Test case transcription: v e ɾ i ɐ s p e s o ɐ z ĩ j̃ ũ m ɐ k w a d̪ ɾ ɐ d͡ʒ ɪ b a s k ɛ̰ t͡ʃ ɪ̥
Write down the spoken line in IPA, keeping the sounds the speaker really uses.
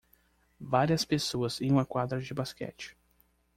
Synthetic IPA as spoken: v a ɾ i ɐ s p e s o ɐ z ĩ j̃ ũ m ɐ k w a d̪ ɾ ɐ d͡ʒ ɪ b a s k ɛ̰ t͡ʃ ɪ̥